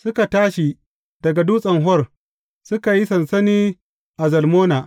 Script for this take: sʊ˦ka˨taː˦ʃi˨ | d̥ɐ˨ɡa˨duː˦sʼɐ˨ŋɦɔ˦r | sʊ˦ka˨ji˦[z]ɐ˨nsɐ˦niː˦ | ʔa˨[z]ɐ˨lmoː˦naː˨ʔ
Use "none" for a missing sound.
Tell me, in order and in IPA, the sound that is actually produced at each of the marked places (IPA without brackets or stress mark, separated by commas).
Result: s, z